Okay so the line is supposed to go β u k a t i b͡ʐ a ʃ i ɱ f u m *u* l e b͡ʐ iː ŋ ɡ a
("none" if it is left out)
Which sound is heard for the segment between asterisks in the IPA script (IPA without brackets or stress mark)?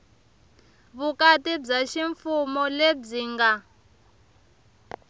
ɔ